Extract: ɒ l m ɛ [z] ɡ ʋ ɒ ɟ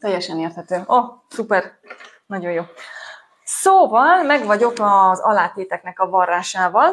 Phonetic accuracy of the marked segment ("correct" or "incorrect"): incorrect